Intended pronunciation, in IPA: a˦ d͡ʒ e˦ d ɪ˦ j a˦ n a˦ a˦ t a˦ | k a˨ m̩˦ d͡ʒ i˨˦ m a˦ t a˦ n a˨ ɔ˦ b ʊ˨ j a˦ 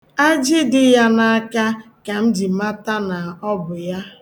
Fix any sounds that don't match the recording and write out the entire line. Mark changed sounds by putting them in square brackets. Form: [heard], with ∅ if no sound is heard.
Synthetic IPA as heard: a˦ d͡ʒ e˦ d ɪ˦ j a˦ n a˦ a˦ [k] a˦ | k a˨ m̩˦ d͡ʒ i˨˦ m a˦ t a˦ n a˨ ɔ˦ b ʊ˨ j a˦

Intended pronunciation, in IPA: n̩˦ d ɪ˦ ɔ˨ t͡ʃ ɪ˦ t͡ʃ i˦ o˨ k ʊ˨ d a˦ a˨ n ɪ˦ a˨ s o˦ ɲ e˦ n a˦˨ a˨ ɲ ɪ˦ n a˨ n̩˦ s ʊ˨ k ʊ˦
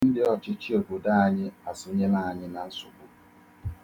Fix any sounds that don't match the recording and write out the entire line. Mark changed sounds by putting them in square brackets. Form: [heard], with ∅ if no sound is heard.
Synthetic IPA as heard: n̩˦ d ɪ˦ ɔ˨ t͡ʃ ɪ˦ t͡ʃ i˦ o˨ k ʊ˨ d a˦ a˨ [ɲ] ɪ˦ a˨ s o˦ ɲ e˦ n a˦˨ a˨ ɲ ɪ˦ n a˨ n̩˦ s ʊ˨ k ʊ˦

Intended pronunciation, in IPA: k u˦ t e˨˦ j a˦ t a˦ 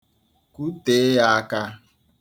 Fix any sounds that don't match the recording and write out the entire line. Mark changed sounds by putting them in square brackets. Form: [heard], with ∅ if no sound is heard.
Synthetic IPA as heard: k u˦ t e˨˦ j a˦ [k] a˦

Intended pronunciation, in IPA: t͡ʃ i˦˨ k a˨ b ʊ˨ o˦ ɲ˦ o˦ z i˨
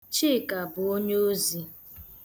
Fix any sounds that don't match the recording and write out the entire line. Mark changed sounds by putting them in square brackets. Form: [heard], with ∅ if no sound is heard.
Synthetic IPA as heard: t͡ʃ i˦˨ k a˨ b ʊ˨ o˦ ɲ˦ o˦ z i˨

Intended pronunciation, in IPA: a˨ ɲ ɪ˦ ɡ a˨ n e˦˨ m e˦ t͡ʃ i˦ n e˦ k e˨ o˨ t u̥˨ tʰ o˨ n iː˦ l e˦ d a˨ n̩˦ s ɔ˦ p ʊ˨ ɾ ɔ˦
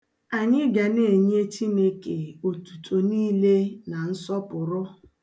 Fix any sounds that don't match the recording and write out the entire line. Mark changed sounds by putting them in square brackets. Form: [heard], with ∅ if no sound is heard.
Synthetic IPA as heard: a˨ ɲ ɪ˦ ɡ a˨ n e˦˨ [ɲ] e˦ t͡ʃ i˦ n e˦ k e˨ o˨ t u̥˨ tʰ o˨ n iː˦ l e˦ [n] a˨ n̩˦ s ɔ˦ p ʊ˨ ɾ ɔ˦

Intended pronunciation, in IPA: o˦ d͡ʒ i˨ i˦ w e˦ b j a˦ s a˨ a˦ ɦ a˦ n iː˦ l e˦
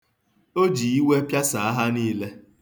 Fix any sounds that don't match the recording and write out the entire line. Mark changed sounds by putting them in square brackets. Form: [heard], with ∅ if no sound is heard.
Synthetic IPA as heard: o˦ d͡ʒ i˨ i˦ w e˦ [p] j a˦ s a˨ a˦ ɦ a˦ n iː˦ l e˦

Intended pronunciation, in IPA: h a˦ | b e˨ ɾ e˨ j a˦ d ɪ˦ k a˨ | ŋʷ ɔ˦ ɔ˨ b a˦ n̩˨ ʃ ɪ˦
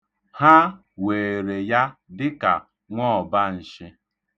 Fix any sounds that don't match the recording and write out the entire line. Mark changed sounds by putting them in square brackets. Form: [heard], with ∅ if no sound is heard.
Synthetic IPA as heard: h a˦ | [w] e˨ ɾ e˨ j a˦ d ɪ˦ k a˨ | ŋʷ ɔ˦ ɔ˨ b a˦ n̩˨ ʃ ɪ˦

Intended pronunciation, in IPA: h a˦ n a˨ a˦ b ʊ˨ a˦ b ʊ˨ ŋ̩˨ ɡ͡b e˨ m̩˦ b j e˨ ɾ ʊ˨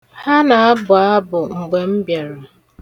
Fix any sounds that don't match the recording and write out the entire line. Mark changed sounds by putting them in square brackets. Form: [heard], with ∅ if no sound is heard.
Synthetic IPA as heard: h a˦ n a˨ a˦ b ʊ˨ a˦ b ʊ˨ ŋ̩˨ ɡ͡b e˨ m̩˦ b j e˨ ɾ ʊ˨

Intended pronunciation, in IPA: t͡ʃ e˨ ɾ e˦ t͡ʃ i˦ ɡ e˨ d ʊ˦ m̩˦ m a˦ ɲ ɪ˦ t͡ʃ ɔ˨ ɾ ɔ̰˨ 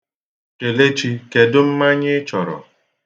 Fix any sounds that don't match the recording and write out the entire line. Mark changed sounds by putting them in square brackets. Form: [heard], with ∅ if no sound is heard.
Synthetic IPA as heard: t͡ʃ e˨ [l] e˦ t͡ʃ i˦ [k] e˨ d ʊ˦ m̩˦ m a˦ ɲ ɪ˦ t͡ʃ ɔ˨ ɾ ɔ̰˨

